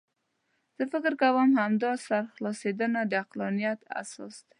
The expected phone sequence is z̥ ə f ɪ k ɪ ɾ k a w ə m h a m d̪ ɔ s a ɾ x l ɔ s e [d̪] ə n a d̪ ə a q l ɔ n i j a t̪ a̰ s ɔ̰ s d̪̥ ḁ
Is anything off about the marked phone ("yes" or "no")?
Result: no